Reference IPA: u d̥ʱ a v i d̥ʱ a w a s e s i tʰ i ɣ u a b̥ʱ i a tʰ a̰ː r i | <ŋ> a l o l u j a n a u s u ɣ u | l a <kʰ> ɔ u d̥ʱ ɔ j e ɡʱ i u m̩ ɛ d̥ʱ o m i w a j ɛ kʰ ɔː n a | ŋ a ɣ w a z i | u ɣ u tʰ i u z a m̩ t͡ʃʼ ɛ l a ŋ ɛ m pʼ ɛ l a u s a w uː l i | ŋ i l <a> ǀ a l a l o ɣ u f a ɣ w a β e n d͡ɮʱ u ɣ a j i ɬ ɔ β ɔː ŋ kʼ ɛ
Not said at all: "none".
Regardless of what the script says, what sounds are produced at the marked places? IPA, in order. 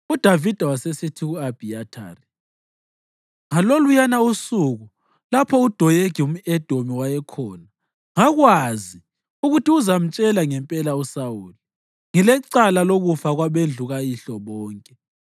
ŋ, pʰ, ɛ

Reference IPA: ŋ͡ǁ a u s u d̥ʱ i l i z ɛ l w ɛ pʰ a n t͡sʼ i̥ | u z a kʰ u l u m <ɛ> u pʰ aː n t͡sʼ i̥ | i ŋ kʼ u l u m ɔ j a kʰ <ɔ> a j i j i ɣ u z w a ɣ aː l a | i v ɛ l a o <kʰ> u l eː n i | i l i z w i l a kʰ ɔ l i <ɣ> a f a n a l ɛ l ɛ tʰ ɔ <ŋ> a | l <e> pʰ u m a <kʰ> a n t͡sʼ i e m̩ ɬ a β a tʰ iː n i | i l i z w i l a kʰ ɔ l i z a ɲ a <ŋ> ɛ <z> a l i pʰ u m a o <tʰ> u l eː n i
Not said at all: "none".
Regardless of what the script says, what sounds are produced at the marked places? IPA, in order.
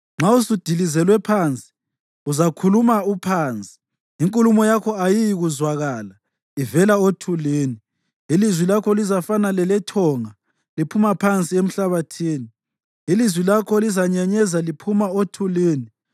a, ɔ, tʰ, z, ŋ, i, pʰ, ɲ, z, tʰ

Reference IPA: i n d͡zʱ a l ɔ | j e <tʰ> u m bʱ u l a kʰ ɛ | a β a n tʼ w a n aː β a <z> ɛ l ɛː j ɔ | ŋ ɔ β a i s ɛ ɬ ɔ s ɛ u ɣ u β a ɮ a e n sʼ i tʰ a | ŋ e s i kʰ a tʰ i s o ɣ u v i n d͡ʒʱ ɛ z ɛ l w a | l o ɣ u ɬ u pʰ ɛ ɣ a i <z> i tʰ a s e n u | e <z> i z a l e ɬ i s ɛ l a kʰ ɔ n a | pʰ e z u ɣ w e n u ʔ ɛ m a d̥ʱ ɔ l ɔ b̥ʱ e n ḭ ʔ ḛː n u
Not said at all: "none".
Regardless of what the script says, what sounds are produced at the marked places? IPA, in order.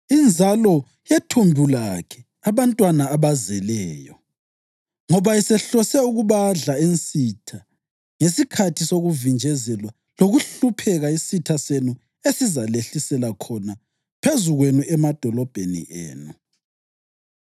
tʰ, z, s, s

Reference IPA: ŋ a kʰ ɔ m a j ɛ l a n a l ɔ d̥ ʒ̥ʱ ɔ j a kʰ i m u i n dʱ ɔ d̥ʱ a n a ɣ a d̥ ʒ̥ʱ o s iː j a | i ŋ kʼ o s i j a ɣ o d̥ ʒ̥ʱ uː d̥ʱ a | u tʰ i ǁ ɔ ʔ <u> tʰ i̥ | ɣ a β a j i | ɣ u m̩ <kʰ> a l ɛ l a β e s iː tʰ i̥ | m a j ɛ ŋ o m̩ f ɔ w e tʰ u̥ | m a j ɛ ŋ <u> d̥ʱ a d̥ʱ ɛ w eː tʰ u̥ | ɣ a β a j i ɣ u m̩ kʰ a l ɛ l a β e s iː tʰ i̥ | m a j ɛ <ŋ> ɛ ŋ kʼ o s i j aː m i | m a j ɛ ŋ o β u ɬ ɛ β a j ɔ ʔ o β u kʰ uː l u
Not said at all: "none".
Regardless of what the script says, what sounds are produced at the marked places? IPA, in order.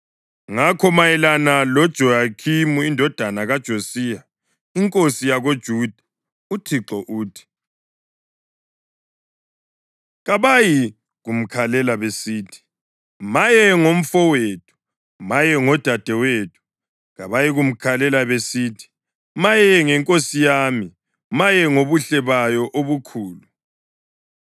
uː, kʰ, ɔ, ŋ

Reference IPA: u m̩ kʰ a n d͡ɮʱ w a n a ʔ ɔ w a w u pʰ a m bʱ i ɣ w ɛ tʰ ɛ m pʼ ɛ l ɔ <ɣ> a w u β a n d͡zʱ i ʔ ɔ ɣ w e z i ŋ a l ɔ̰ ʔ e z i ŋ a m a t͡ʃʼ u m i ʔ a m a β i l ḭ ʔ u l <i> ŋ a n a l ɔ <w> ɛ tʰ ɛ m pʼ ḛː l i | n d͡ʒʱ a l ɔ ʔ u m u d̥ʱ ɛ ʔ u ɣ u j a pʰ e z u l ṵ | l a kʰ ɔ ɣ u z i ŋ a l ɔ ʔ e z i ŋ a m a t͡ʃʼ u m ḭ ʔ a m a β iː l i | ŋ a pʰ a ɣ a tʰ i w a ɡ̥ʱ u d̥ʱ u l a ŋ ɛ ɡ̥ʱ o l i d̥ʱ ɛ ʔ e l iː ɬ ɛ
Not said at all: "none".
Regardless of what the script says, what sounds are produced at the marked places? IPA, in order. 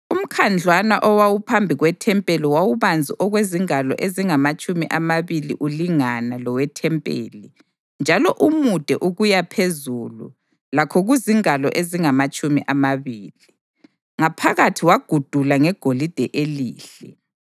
w, i, w

